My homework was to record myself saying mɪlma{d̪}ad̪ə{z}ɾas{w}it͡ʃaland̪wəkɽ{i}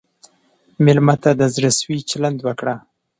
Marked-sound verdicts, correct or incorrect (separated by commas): incorrect, correct, correct, incorrect